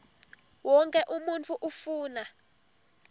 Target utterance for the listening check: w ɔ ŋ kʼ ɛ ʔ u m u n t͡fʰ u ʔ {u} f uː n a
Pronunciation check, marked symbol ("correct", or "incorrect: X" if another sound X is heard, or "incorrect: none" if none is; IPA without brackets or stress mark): correct